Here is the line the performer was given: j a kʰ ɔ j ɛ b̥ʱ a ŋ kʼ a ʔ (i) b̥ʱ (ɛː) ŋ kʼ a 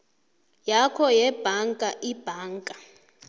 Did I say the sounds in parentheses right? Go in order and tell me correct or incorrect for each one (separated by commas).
correct, incorrect